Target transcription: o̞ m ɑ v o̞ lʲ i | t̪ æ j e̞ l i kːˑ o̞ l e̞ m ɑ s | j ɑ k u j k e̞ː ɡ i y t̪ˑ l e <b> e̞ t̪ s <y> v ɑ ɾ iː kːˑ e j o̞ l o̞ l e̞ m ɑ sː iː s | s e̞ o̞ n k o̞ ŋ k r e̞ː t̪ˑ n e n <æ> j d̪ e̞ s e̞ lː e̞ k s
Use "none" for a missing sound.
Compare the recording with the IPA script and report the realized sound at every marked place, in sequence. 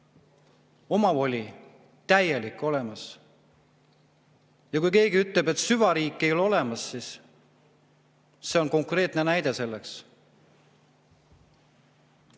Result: b, y, æ

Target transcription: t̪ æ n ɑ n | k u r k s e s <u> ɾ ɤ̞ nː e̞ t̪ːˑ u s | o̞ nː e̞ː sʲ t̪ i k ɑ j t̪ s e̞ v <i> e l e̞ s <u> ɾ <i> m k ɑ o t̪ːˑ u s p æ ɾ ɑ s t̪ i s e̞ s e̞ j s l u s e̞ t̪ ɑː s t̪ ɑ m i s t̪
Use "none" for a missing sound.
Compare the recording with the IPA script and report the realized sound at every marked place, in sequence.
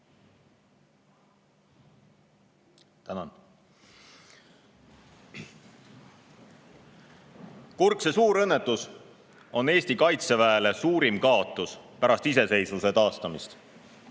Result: uː, æ, uː, i

